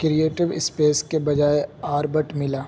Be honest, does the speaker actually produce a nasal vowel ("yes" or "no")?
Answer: no